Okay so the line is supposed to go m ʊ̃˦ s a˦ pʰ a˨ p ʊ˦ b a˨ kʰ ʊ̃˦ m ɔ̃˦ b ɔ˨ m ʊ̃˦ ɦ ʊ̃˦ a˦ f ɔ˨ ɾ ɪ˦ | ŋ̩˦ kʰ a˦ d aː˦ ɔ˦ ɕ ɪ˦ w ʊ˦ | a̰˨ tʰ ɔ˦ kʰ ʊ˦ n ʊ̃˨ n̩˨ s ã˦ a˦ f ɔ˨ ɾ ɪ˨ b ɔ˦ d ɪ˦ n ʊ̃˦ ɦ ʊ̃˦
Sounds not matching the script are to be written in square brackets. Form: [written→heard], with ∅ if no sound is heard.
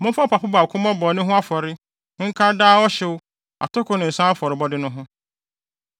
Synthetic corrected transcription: m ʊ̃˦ [s→f] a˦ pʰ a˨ p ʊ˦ b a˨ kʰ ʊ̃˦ m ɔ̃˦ b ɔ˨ [m→n] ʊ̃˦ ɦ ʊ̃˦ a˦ f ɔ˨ ɾ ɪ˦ | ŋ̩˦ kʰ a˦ d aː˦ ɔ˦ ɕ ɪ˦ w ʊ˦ | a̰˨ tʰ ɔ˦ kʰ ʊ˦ n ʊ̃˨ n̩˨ s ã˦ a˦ f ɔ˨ ɾ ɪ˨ b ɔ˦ d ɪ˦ n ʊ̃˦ ɦ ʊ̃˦